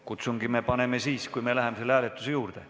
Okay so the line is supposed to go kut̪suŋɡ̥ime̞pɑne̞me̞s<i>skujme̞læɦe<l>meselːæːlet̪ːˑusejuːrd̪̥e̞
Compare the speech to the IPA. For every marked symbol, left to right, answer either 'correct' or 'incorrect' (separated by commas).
incorrect, incorrect